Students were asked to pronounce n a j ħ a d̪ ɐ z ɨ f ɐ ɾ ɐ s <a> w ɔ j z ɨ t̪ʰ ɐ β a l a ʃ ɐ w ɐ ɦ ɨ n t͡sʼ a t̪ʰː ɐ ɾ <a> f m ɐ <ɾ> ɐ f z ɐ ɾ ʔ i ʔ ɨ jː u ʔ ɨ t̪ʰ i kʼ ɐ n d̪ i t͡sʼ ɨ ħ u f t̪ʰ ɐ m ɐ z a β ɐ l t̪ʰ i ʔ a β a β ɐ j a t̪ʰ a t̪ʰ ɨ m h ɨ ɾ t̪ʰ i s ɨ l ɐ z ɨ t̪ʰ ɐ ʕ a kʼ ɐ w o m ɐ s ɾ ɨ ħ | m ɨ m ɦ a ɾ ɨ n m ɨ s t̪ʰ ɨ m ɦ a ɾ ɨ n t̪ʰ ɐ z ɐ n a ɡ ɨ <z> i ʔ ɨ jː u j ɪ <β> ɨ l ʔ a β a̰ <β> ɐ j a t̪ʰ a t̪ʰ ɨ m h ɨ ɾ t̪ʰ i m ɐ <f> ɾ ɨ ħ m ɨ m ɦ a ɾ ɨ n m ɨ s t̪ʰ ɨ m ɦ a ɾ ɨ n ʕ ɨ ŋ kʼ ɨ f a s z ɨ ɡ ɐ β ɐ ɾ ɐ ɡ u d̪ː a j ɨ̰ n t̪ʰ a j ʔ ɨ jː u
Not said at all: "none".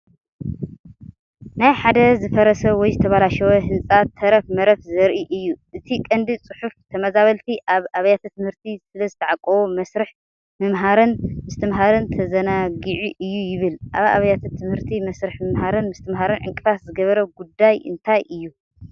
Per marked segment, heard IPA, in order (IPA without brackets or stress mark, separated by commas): ɐ, ɐ, ɾ, ʕ, β, β, s